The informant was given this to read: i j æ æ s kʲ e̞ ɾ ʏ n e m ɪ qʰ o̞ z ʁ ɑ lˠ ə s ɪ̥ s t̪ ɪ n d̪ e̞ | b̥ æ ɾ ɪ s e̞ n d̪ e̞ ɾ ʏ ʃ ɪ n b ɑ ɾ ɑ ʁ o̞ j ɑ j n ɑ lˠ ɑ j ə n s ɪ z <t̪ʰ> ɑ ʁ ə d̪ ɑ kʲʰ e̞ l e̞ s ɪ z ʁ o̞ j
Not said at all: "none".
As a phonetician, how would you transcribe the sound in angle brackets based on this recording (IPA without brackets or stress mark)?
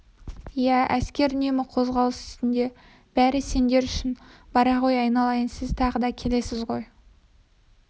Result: t̪ʰ